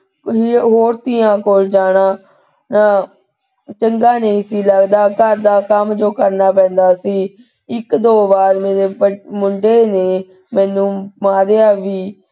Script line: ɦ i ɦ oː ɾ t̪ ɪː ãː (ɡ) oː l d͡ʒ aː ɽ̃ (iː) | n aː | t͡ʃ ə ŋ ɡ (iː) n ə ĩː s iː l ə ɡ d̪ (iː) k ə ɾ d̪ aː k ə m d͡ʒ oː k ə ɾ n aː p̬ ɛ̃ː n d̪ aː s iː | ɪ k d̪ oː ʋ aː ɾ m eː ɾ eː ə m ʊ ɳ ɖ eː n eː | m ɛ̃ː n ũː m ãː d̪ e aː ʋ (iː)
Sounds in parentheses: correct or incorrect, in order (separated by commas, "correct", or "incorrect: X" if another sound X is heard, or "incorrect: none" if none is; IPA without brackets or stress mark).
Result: incorrect: k, incorrect: aː, incorrect: aː, incorrect: aː, correct